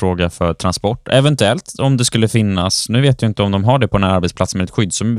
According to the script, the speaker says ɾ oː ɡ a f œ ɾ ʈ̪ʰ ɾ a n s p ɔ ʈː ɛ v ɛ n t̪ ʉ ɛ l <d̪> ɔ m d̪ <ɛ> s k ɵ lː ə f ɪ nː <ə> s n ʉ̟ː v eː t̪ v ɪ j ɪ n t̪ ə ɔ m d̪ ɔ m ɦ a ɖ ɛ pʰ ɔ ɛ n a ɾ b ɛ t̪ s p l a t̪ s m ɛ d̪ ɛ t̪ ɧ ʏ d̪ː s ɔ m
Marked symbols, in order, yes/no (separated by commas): no, yes, no